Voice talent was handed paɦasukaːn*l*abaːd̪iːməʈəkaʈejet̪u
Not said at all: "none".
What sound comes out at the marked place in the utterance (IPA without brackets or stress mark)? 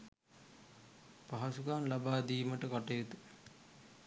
l